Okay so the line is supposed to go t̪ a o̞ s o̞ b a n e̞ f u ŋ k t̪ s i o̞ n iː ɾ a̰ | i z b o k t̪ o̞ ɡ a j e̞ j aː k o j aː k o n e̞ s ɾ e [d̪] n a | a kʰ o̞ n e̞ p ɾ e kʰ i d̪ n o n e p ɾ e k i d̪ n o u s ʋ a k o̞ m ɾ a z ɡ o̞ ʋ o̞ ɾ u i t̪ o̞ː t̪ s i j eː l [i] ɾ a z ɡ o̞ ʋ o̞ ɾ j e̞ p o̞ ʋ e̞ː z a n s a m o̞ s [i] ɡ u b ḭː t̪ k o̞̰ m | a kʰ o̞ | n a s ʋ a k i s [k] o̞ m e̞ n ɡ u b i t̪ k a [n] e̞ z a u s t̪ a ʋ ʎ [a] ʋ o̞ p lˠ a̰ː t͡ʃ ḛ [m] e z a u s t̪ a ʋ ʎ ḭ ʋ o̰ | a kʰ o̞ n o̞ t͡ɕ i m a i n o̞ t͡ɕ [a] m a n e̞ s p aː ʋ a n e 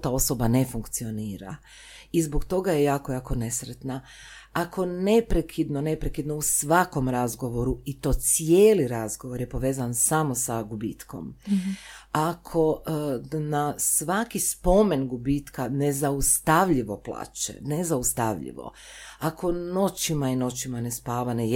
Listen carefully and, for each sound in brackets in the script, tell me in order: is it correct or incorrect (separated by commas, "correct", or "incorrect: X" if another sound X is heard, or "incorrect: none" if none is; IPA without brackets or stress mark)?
incorrect: t̪, correct, incorrect: a, incorrect: p, correct, incorrect: i, incorrect: n, incorrect: i